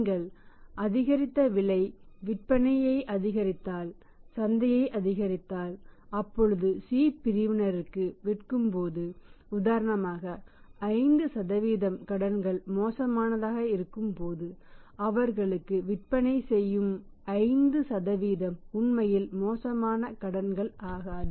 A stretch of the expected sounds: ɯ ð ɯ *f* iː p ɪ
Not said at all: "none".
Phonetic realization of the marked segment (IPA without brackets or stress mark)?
s